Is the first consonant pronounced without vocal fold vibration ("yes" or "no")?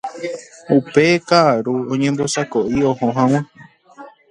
yes